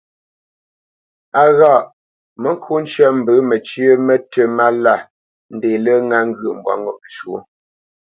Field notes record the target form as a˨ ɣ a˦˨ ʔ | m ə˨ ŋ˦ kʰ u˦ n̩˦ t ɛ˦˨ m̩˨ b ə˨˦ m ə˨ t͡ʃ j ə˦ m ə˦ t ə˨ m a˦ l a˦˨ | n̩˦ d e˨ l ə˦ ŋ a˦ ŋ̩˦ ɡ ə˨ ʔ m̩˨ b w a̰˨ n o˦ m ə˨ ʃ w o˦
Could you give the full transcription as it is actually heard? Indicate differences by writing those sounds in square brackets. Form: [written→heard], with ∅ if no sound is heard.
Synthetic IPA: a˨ ɣ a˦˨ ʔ | m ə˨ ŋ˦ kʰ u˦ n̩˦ [t→t͡ʃ] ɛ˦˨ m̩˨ b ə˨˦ m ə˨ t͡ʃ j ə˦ m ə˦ t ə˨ m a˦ l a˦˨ | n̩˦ d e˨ l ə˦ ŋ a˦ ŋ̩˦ ɡ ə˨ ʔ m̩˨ b w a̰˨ [n→ŋ] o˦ m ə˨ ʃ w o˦